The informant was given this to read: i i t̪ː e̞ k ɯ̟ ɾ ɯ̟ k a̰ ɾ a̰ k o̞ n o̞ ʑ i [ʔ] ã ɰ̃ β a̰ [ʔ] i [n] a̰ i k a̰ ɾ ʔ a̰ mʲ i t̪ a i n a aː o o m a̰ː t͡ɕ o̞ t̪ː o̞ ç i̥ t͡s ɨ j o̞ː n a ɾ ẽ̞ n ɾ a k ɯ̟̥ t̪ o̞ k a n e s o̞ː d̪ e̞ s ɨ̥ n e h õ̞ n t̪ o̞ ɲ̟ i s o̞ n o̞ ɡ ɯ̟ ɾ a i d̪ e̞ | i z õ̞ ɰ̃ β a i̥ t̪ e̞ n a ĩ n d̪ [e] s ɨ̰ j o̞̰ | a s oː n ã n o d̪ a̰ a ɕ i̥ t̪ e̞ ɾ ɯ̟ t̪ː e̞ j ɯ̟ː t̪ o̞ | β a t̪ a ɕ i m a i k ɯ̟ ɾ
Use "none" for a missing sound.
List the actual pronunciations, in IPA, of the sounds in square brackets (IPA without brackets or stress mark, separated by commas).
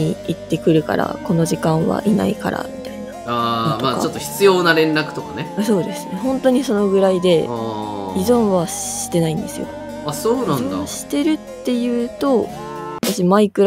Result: k, ʔ, n, e